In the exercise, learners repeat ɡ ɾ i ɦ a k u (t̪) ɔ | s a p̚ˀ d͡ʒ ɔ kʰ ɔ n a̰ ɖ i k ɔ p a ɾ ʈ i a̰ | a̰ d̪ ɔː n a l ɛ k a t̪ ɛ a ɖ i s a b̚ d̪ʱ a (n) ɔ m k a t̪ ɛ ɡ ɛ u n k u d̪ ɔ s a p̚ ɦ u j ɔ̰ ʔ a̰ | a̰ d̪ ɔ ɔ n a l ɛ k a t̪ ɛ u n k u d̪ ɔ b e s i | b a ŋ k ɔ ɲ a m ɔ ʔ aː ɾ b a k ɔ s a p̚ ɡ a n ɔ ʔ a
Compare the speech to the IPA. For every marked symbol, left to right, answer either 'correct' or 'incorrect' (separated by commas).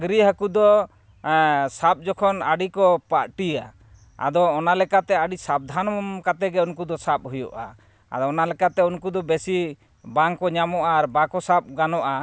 incorrect, correct